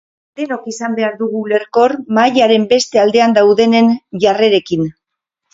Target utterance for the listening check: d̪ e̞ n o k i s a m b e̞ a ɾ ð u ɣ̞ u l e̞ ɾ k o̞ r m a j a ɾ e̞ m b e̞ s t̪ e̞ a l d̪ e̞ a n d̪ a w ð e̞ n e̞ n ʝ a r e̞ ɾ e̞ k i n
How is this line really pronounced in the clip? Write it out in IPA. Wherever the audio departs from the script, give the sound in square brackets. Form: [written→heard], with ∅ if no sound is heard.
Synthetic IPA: d̪ e̞ n o k i s a m b e̞ a ɾ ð u ɣ̞ u l e̞ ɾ k o̞ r m a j a ɾ e̞ m b e̞ s t̪ e̞ a l d̪ e̞ a n d̪ a w ð e̞ n e̞ n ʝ a r e̞ ɾ e̞ k i n